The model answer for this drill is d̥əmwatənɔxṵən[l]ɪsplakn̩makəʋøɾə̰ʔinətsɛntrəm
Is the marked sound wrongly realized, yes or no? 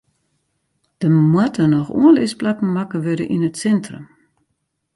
no